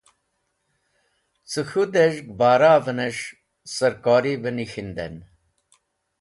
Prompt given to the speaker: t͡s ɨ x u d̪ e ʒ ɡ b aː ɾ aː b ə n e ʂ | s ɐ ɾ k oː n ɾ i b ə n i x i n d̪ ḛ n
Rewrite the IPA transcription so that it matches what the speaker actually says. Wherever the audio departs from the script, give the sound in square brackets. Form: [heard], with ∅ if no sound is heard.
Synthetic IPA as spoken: t͡s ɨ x u d̪ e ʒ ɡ b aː ɾ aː [v] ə n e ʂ | s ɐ ɾ k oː [∅] ɾ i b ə n i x i n d̪ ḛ n